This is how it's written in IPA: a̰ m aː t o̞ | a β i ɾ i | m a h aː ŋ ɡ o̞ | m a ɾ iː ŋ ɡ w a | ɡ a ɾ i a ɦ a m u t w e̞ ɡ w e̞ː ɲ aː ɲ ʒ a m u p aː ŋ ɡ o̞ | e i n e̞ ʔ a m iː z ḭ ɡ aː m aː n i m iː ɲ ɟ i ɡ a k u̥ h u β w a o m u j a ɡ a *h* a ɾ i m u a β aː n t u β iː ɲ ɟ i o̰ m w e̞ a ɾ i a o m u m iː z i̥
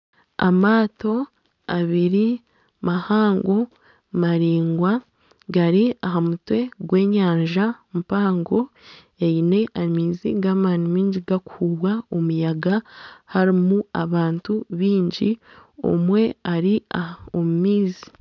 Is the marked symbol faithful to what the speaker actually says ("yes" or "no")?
yes